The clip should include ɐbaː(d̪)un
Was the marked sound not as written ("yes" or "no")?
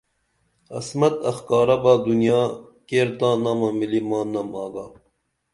no